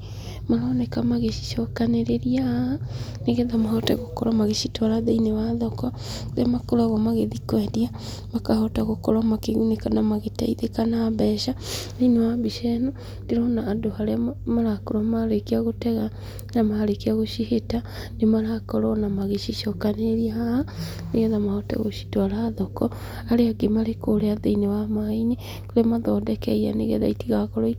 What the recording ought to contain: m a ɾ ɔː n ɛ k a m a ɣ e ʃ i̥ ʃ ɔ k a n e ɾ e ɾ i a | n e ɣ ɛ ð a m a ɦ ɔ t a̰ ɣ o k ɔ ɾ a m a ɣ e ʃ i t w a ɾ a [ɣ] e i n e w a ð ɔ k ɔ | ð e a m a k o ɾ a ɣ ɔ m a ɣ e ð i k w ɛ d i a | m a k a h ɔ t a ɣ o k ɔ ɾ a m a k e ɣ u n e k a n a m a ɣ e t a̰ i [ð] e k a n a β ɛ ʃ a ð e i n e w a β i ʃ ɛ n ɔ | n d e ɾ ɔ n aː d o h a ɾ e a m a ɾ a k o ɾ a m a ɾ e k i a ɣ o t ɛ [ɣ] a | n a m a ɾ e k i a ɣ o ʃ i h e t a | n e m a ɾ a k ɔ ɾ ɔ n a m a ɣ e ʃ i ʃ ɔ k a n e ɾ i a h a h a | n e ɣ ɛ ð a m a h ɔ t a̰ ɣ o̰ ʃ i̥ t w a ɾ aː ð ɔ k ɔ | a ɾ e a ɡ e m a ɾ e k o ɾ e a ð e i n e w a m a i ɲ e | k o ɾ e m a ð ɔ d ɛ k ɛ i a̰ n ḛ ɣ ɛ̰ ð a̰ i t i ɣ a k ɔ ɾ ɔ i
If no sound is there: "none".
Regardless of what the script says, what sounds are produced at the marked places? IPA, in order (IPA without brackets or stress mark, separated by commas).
ð, ð, ɣ